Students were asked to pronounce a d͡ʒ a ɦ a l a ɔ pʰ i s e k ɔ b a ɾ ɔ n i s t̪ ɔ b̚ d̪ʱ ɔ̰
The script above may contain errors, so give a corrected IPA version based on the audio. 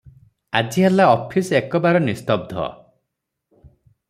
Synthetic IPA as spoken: a d͡ʒ i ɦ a l a ɔ pʰ i s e k ɔ b a ɾ ɔ n i s t̪ ɔ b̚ d̪ʱ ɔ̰